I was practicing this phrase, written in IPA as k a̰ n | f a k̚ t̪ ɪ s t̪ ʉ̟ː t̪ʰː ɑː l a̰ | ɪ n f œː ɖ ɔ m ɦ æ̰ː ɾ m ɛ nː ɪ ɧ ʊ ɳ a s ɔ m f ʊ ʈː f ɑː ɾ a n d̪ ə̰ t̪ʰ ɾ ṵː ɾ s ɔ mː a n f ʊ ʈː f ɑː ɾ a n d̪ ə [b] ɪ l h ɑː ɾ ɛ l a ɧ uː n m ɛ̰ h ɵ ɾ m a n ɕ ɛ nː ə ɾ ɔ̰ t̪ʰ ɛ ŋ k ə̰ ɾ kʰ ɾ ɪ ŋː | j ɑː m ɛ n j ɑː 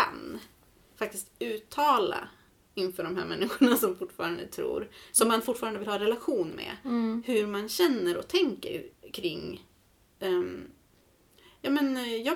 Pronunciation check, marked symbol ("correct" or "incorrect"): incorrect